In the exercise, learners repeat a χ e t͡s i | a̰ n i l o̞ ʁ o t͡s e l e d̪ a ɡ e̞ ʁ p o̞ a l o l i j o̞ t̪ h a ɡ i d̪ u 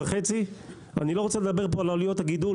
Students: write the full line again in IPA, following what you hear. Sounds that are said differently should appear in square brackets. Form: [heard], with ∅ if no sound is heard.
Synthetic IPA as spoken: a χ e t͡s i | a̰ n i l o̞ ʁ o t͡s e l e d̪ a [b] e̞ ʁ p o̞ a l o l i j o̞ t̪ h a ɡ i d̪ u